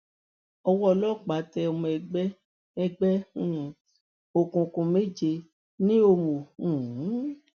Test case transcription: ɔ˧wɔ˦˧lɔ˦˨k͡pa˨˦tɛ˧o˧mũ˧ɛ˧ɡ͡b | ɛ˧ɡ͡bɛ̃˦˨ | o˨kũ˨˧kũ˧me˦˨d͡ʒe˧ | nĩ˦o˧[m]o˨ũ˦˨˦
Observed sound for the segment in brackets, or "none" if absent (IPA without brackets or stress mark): m